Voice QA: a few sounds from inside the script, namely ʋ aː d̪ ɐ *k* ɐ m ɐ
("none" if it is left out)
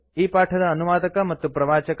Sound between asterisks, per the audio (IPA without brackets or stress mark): k